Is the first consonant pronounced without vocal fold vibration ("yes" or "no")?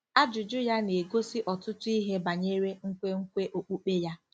no